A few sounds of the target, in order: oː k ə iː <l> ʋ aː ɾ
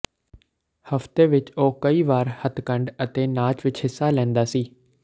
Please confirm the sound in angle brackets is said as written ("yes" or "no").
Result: no